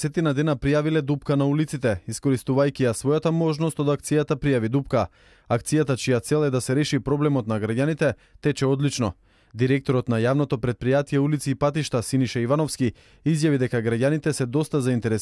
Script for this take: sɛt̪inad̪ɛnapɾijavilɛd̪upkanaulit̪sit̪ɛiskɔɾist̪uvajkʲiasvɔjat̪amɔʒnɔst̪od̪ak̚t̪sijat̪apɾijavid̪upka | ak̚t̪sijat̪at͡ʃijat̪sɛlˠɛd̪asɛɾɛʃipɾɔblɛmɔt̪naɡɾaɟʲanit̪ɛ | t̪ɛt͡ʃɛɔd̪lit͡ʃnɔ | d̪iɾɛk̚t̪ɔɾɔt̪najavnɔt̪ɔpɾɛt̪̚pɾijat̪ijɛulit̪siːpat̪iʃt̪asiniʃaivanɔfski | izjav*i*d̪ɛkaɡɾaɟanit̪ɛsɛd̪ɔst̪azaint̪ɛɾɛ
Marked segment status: correct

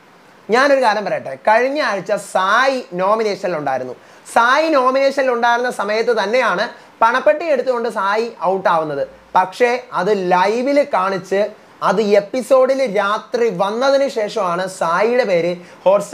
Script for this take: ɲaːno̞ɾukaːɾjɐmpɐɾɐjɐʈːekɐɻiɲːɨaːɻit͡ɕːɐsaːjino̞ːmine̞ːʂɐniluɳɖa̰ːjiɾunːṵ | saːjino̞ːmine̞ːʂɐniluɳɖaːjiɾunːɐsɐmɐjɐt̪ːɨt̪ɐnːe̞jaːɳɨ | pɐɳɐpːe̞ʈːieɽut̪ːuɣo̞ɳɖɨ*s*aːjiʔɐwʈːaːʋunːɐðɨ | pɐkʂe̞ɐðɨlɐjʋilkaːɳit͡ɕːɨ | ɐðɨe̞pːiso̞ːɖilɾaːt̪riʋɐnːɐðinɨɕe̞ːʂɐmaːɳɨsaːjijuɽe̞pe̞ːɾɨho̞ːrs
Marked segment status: correct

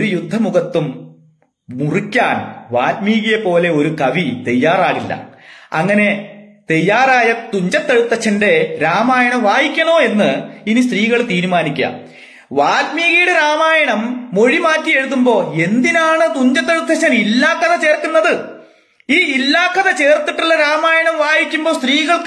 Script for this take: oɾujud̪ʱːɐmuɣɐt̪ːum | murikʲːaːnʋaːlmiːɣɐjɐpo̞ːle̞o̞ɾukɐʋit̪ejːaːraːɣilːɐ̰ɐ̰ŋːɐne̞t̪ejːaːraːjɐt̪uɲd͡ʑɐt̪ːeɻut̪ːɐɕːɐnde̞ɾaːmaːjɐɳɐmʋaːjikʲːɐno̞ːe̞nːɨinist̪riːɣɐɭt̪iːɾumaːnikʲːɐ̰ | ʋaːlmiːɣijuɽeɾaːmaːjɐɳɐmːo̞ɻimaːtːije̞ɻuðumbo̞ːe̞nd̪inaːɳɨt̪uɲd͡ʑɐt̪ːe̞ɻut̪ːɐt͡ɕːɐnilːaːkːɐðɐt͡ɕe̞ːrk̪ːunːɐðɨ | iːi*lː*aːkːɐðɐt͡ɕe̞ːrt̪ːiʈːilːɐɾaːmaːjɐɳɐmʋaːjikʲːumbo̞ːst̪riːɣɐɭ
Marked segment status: correct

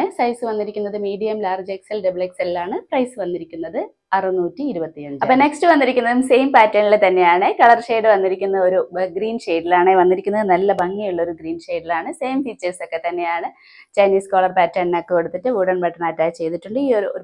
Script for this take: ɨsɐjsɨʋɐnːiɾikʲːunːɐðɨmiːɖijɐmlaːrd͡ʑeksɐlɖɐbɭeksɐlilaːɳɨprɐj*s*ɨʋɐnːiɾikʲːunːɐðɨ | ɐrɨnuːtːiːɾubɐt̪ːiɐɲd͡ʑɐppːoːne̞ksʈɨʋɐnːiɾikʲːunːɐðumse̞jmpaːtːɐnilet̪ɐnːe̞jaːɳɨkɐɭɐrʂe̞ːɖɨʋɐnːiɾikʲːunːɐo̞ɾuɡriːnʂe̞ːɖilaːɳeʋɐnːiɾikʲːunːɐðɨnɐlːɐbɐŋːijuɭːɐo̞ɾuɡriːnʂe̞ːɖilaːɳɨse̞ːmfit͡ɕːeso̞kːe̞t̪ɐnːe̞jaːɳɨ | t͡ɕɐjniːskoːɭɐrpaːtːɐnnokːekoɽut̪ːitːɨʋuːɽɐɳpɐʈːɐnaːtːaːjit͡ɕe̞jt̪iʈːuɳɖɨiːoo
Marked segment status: correct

